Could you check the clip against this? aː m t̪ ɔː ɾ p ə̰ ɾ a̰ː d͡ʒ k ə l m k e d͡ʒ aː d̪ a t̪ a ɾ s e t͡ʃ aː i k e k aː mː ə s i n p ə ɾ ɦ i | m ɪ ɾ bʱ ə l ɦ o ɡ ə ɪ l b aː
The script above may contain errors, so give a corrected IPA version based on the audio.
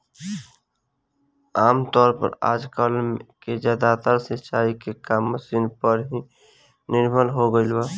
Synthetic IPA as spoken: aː m t̪ ɔː ɾ p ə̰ ɾ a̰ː d͡ʒ k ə l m k e d͡ʒ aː d̪ a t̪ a ɾ s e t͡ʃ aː i k e k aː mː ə s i n p ə ɾ ɦ i | n ɪ ɾ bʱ ə l ɦ o ɡ ə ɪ l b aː